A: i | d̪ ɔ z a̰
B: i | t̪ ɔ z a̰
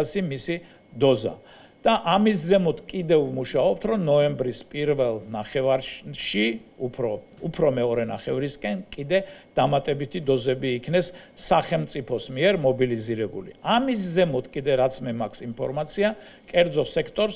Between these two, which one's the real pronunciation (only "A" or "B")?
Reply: A